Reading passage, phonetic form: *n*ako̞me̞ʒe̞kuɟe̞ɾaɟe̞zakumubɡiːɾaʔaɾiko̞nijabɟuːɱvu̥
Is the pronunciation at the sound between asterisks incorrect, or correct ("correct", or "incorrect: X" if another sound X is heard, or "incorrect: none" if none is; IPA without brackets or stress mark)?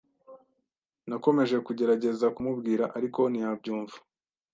correct